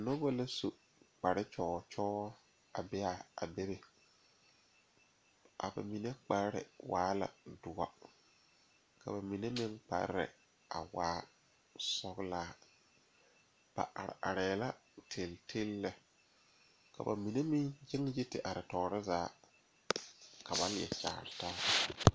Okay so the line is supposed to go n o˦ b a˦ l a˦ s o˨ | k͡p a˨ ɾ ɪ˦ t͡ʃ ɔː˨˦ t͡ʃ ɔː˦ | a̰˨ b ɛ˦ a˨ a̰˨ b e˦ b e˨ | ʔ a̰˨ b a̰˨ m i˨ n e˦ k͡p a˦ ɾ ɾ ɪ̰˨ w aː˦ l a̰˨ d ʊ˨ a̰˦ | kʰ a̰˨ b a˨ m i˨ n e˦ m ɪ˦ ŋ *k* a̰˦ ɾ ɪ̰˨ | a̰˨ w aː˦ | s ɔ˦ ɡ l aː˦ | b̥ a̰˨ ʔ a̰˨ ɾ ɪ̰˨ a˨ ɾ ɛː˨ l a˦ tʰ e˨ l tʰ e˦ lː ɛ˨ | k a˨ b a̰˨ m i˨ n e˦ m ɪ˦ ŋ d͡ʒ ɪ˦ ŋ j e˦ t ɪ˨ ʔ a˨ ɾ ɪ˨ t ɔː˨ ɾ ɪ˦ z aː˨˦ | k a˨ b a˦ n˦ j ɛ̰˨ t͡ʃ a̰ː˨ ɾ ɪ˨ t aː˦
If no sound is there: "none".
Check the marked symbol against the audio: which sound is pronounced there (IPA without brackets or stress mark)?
k͡p